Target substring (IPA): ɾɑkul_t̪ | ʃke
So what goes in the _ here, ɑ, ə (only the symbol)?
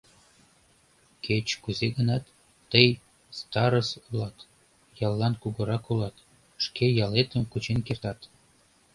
ɑ